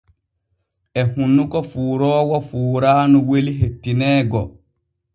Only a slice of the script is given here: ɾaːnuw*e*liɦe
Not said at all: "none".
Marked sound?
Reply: e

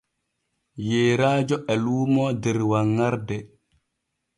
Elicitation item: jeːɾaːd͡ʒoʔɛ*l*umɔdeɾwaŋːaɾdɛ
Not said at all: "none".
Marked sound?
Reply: l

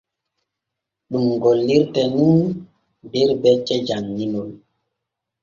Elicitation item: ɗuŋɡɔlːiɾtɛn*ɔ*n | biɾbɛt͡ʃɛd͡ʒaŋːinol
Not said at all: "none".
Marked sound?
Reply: u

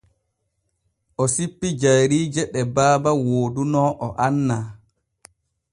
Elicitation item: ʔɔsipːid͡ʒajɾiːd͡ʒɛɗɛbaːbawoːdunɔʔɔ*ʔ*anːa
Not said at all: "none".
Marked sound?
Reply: ʔ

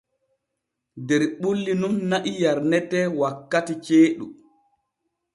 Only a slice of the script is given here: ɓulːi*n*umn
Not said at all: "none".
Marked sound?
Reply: n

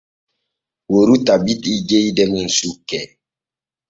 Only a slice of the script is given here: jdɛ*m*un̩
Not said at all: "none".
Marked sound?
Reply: m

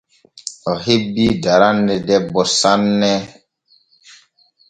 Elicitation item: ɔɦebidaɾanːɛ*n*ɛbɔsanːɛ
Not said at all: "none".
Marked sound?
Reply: d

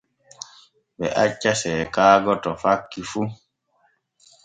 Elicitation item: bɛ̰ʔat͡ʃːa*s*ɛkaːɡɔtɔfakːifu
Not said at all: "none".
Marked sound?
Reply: s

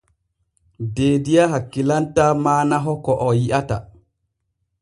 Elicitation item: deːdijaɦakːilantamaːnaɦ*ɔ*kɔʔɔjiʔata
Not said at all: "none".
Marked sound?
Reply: ɔ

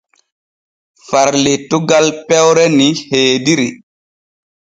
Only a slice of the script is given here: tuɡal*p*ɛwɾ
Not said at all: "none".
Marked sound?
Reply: p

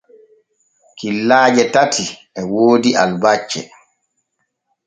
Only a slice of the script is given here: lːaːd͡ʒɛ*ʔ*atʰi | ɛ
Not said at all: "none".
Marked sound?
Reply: t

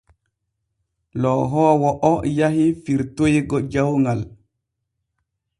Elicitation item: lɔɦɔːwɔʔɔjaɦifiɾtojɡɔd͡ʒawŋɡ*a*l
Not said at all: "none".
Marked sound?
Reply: a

